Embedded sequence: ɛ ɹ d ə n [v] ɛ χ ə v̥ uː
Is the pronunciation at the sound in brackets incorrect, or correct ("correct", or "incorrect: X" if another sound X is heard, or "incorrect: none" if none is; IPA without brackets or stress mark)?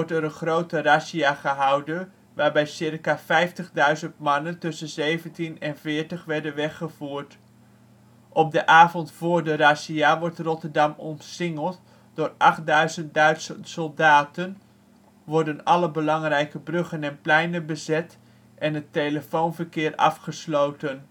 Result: incorrect: ʋ